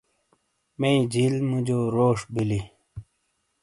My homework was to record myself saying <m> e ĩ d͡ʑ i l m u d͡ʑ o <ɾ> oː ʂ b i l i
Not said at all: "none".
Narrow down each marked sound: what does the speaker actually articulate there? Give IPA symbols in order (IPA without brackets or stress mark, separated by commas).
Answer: m, ɾ